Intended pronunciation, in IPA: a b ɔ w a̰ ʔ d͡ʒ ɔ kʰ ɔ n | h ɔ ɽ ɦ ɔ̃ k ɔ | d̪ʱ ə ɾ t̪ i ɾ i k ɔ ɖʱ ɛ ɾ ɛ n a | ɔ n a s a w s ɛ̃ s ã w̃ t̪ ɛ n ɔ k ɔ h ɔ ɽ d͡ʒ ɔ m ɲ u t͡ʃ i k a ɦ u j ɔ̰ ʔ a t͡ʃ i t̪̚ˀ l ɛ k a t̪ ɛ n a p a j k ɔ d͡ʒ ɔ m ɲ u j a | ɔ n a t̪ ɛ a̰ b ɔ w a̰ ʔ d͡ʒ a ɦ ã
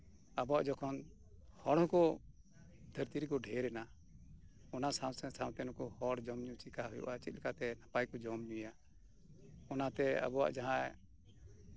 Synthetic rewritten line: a b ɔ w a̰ ʔ d͡ʒ ɔ kʰ ɔ n | h ɔ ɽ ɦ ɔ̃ k ɔ | d̪ʱ ə ɾ t̪ i ɾ i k ɔ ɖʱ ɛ ɾ ɛ n a | ɔ n a s a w s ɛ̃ s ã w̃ t̪ ɛ n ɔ k ɔ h ɔ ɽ d͡ʒ ɔ m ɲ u t͡ʃ i k a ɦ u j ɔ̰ ʔ a t͡ʃ i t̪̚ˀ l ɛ k a t̪ ɛ n a p a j k ɔ d͡ʒ ɔ m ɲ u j a | ɔ n a t̪ ɛ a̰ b ɔ w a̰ ʔ d͡ʒ a ɦ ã

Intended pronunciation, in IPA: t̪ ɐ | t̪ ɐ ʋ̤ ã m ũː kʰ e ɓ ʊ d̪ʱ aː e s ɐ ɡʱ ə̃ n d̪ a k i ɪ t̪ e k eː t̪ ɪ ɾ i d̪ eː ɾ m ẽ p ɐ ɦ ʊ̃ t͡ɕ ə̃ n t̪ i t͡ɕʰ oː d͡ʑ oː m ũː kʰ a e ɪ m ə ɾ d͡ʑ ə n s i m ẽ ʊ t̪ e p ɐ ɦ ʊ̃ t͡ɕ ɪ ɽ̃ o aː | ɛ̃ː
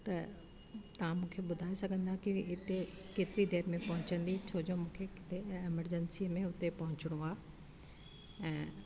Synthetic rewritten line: t̪ ɐ | t̪ ɐ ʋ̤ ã m ũː kʰ e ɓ ʊ d̪ʱ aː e s ɐ ɡʱ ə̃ n d̪ a k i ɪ t̪ e k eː t̪ ɪ ɾ i d̪ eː ɾ m ẽ p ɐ ɦ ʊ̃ t͡ɕ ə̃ n d̪ i t͡ɕʰ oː d͡ʑ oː m ũː kʰ e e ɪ m ə ɾ d͡ʑ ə n s i m ẽ ʊ t̪ e p ɐ ɦ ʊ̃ t͡ɕ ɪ ɽ̃ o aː | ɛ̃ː

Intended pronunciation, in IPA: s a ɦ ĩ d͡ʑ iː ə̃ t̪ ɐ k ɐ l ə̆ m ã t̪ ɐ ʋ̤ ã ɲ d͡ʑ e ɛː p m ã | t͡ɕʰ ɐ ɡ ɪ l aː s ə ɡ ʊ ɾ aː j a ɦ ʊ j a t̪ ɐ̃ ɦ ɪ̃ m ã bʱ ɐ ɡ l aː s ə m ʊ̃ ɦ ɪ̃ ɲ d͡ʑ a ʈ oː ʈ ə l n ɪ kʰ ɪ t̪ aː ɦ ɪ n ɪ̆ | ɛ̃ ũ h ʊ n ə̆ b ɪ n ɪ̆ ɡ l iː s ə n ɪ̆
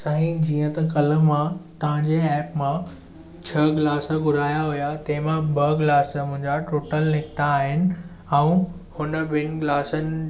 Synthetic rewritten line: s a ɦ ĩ d͡ʑ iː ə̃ t̪ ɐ k ɐ l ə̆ m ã t̪ ɐ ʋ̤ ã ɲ d͡ʑ e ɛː p m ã | t͡ɕʰ ɐ ɡ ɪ l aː s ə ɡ ʊ ɾ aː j a ɦ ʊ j a t̪ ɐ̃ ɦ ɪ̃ m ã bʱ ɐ ɡ l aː s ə m ʊ̃ ɦ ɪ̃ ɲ d͡ʑ a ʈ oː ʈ ə l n ɪ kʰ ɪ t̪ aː ɦ ɪ n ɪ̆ | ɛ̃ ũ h ʊ n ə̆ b ɪ n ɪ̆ ɡ l aː s ə n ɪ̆

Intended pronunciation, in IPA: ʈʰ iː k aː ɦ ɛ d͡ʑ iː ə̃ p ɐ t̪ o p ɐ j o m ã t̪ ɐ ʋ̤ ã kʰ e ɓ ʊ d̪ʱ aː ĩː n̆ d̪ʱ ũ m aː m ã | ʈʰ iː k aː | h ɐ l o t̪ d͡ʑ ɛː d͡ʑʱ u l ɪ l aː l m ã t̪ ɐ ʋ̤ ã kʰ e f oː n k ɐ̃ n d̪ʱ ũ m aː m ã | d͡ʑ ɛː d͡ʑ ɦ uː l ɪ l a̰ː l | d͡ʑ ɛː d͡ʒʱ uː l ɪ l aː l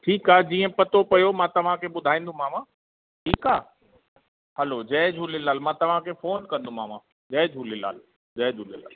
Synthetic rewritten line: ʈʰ iː k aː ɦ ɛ d͡ʑ iː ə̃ p ɐ t̪ o p ɐ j o m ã t̪ ɐ ʋ̤ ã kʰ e ɓ ʊ d̪ʱ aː ĩː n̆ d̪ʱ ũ m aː m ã | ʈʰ iː k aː | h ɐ l o d͡ʑ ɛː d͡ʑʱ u l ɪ l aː l m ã t̪ ɐ ʋ̤ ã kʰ e f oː n k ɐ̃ n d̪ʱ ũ m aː m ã | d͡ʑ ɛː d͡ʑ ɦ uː l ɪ l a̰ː l | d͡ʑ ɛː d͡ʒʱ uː l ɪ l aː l

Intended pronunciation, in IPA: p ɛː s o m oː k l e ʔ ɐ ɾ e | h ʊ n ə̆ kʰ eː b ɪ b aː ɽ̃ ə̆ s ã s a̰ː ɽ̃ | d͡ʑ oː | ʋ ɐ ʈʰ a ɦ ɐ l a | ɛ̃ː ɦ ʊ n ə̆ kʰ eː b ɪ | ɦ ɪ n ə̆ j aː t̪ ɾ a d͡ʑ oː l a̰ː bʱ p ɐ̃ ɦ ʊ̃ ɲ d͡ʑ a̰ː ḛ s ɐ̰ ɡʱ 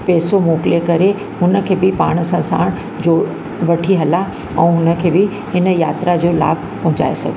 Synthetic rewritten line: p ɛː s o m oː k l e k ɐ ɾ e | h ʊ n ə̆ kʰ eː b ɪ p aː ɽ̃ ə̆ s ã s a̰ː ɽ̃ | d͡ʑ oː | ʋ ɐ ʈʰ i ɦ ɐ l a | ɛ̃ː ɦ ʊ n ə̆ kʰ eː b ɪ | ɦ ɪ n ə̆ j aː t̪ ɾ a d͡ʑ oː l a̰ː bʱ p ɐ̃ ɦ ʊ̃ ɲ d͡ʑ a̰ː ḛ s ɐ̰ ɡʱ

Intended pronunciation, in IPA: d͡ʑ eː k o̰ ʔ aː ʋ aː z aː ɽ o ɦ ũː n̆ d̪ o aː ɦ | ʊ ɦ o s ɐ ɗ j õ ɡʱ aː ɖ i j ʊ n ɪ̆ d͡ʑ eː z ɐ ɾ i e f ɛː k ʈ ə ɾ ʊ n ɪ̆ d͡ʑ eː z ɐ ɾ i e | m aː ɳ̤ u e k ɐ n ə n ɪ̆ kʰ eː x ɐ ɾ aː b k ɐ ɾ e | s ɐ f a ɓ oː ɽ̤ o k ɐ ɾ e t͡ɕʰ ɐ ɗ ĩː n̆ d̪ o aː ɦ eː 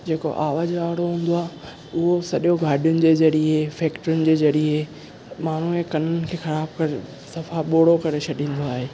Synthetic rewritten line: d͡ʑ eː k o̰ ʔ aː ʋ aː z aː ɽ o ɦ ũː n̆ d̪ o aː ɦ | ʊ ɦ o s ɐ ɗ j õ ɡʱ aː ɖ i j ʊ n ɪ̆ d͡ʑ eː z ɐ ɾ i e f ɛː k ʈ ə ɾ ʊ n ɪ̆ d͡ʑ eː z ɐ ɾ i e | m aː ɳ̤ u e k ɐ n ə n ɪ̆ kʰ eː x ɐ ɾ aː b k ɐ ɾ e | s ɐ f a ɓ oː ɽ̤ o k ɐ ɾ e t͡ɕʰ ɐ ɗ ĩː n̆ d̪ o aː ɦ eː

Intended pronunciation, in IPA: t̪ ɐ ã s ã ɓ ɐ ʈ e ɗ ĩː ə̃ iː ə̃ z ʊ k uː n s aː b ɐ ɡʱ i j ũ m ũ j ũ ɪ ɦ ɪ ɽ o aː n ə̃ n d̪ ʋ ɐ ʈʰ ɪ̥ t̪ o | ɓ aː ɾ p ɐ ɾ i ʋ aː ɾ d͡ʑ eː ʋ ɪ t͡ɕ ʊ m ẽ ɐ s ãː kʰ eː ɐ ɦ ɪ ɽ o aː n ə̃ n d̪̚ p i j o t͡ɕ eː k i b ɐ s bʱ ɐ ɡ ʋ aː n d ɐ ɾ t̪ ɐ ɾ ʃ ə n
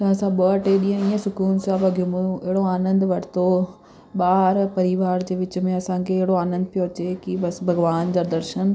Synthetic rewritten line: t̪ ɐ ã s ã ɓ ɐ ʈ e ɗ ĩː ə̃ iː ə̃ s ʊ k uː n s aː b ɐ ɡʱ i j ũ m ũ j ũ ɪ ɦ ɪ ɽ o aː n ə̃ n d̪ ʋ ɐ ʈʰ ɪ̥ t̪ o | ɓ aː ɾ p ɐ ɾ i ʋ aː ɾ d͡ʑ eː ʋ ɪ t͡ɕ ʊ m ẽ ɐ s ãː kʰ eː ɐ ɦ ɪ ɽ o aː n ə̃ n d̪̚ p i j o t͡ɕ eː k i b ɐ s bʱ ɐ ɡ ʋ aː n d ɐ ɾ d̪ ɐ ɾ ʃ ə n

